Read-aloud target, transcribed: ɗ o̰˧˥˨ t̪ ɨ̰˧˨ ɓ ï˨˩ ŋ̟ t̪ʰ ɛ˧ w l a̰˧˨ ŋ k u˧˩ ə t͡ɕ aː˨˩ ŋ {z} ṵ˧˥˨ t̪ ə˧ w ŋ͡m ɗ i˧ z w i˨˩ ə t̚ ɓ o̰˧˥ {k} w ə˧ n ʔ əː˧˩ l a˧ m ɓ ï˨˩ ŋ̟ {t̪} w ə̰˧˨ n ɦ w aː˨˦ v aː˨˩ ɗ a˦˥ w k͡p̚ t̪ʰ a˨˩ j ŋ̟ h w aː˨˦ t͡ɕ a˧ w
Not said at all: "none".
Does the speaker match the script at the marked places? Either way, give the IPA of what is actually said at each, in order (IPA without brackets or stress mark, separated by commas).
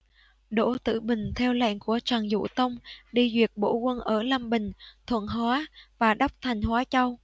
z, k, t̪ʰ